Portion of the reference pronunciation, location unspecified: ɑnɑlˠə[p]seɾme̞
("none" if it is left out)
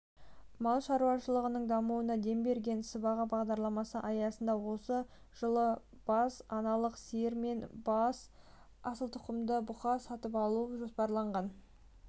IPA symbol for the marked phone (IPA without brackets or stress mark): q